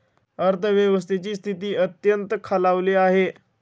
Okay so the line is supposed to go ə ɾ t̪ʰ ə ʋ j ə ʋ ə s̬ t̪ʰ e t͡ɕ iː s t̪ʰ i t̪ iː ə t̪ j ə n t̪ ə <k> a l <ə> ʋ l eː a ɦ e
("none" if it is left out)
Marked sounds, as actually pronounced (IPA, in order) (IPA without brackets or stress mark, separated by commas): kʰ, a